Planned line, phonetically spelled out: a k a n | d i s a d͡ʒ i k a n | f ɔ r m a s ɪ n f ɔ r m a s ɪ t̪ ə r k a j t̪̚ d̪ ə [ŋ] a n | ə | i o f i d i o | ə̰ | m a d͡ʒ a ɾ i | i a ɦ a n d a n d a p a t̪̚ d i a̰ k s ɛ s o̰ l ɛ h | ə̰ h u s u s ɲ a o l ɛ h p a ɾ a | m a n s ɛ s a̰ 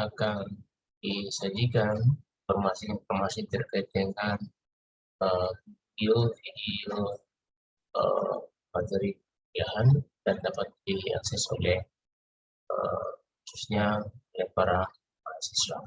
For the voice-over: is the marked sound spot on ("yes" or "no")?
yes